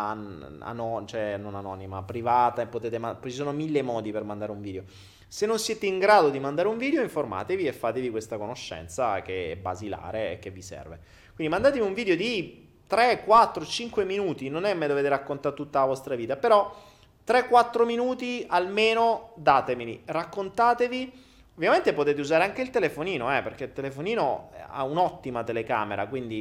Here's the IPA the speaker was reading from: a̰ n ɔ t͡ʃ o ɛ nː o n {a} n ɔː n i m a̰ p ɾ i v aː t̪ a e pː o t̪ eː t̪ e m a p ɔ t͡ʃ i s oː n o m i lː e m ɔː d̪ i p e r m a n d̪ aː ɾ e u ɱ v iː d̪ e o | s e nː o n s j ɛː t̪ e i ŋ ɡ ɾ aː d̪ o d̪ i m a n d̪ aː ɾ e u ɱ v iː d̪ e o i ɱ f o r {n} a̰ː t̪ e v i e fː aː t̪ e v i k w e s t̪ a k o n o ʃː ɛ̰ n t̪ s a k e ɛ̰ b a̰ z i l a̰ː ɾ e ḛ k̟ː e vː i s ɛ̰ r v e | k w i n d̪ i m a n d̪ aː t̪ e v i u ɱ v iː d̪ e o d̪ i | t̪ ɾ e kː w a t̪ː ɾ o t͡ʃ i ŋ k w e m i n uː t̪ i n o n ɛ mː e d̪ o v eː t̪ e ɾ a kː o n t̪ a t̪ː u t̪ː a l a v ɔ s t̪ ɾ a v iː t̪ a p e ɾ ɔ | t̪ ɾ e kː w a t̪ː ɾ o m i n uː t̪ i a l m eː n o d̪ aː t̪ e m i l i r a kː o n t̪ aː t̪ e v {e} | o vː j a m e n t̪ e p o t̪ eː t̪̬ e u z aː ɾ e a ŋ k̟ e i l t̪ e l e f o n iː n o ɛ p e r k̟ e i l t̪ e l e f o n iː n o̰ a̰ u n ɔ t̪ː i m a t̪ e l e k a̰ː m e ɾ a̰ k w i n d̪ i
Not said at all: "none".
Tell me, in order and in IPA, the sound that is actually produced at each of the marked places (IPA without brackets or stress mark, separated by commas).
a, m, i